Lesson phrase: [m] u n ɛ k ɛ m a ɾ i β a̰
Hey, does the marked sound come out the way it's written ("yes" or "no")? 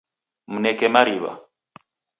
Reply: yes